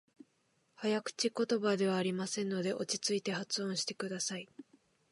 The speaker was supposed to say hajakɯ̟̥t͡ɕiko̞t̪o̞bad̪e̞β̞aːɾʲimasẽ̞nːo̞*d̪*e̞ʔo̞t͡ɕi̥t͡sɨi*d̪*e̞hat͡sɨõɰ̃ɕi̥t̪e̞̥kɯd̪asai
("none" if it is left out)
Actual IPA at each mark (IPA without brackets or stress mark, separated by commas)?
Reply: d̪, t̪